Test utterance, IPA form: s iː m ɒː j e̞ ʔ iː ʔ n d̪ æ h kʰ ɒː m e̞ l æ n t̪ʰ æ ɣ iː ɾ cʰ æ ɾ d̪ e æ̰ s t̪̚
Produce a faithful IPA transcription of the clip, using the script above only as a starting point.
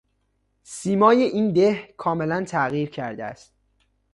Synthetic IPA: s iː m ɒː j e̞ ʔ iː n d̪ e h kʰ ɒː m e̞ l æ n t̪ʰ æ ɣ iː ɾ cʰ æ ɾ d̪ e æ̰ s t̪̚

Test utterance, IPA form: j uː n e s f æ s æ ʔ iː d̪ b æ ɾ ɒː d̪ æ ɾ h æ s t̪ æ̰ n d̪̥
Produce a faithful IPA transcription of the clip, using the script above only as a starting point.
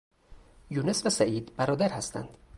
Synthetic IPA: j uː n e s v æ s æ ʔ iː d̪ b æ ɾ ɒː d̪ æ ɾ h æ s t̪ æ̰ n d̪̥

